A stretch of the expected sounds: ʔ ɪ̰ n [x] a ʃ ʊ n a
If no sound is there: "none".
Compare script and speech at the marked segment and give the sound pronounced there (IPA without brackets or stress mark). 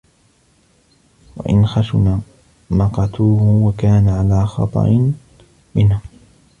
x